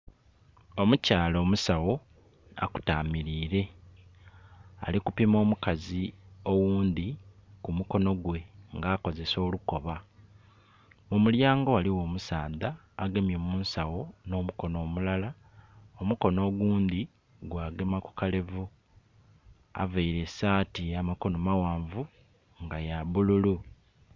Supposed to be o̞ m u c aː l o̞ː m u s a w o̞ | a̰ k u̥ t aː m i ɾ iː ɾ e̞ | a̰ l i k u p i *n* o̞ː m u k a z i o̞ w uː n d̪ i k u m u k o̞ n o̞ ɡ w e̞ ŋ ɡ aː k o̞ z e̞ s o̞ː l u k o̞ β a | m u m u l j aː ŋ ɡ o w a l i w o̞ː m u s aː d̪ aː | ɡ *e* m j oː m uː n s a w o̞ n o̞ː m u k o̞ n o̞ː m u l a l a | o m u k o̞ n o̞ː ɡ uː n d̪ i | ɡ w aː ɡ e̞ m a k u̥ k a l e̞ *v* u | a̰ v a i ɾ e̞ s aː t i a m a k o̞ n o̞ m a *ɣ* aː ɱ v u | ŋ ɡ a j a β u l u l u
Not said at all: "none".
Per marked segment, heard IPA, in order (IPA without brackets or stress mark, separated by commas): m, e, v, w